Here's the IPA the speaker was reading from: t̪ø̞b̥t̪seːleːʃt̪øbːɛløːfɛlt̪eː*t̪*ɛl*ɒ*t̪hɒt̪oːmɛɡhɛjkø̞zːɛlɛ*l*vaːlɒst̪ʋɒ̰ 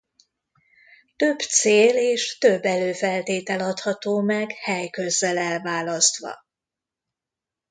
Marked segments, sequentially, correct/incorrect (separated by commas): correct, correct, correct